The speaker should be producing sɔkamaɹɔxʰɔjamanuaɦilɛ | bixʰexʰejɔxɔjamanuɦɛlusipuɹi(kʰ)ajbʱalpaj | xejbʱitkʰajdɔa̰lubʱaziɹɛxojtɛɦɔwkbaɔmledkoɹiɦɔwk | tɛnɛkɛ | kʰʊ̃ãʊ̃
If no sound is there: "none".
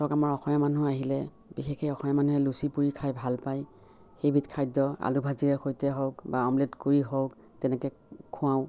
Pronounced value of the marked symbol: kʰ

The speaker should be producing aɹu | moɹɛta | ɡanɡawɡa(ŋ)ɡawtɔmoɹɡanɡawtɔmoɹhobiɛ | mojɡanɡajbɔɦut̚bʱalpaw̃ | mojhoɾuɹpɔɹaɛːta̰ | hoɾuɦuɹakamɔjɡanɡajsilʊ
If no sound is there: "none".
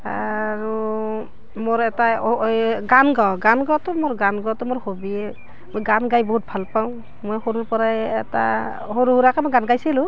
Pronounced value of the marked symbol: n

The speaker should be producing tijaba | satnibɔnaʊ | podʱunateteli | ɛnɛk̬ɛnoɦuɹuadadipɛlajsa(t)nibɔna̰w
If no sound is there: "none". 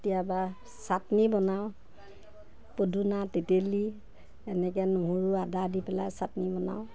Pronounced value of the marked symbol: t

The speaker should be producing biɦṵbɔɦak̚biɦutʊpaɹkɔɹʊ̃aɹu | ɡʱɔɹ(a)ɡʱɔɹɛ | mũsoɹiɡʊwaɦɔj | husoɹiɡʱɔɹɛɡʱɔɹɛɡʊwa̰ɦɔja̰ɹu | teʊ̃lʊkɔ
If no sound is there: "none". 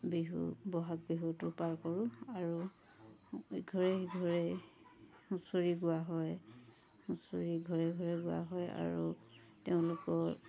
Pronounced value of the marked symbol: ɛ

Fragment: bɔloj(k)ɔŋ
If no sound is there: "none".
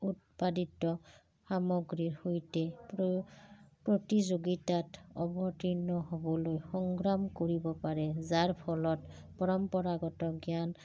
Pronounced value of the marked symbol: x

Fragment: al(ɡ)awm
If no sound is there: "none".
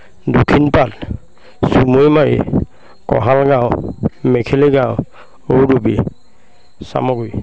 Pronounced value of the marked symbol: ɡ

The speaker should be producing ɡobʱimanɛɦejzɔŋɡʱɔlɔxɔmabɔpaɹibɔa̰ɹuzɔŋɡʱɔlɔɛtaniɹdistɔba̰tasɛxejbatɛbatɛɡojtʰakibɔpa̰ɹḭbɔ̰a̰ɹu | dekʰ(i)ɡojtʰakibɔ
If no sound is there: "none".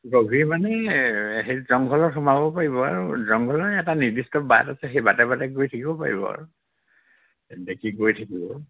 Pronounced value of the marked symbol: i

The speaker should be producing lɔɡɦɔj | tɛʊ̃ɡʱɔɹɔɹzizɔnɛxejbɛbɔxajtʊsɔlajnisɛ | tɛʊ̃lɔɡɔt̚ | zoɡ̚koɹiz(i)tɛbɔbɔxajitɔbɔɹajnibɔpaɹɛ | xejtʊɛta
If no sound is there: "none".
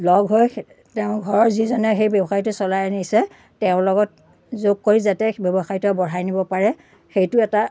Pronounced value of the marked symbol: a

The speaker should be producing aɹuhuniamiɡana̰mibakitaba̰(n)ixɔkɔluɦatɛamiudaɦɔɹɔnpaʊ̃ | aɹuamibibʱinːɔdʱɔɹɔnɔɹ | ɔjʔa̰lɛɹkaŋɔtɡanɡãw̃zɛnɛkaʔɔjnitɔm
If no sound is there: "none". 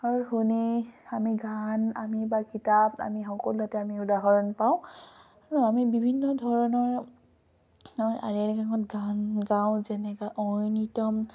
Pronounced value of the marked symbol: m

